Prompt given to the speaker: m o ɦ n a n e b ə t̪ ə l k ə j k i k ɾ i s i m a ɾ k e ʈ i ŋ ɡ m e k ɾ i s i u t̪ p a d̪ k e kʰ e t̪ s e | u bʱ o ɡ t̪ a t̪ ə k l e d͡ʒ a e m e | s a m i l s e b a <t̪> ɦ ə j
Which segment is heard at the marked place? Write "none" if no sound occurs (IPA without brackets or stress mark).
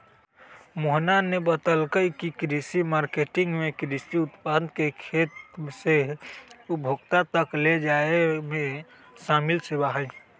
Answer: none